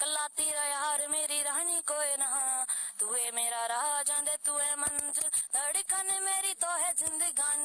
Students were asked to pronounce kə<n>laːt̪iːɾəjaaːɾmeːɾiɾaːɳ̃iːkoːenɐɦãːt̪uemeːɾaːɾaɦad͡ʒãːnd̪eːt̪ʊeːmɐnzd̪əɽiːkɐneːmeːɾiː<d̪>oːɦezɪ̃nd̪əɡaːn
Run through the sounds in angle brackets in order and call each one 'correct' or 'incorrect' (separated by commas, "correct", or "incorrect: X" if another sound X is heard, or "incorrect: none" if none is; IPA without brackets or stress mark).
incorrect: none, incorrect: t̪